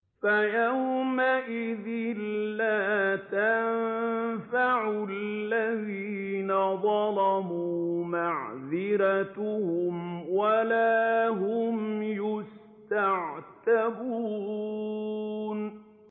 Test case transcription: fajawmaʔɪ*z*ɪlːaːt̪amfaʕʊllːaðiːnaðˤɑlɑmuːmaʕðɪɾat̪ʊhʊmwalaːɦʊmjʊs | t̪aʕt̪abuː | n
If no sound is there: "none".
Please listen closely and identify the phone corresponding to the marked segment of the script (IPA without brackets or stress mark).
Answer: ð